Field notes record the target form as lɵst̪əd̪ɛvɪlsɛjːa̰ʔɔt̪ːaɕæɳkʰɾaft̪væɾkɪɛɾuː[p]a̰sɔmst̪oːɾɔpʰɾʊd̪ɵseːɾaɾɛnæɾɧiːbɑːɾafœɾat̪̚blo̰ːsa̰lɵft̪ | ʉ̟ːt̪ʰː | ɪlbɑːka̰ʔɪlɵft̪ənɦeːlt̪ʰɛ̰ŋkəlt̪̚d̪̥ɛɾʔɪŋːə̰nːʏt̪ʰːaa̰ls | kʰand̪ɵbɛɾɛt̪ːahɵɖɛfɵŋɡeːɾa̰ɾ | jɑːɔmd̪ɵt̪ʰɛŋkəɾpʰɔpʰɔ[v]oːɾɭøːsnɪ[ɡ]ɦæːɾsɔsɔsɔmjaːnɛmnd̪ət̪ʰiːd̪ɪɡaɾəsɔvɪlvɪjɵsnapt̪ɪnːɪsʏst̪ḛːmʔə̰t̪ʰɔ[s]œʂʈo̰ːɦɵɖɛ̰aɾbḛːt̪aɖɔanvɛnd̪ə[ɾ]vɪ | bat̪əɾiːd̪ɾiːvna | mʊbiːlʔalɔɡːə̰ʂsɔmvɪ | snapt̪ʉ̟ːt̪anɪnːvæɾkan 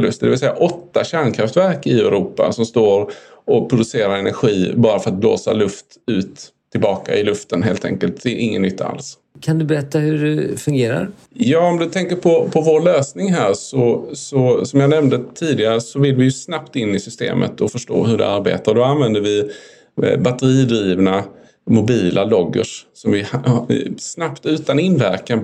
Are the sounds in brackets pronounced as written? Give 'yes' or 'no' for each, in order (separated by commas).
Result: yes, yes, no, no, yes